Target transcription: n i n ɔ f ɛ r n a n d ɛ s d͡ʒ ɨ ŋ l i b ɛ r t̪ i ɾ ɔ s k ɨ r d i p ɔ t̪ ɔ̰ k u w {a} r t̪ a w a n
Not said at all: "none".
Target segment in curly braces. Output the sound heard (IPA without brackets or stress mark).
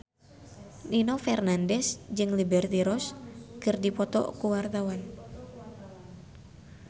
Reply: a